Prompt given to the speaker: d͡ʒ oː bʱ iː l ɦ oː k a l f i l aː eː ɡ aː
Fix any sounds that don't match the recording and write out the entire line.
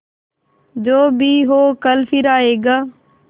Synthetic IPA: d͡ʒ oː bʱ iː ɦ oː k ə l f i ɾ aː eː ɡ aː